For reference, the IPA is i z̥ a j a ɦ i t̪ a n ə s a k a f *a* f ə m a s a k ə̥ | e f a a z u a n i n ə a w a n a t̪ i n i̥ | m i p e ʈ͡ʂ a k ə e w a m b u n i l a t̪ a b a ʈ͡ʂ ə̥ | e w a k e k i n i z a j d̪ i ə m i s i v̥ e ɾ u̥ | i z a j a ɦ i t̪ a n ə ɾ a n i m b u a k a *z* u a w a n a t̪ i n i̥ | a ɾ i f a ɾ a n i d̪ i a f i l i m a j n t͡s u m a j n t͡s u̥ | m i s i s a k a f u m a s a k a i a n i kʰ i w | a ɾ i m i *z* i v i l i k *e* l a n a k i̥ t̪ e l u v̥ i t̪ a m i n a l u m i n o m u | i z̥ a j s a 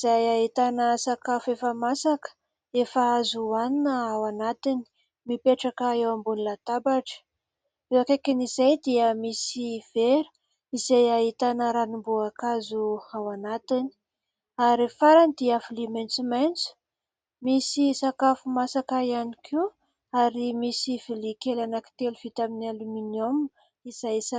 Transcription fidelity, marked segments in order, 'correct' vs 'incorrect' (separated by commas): incorrect, correct, incorrect, correct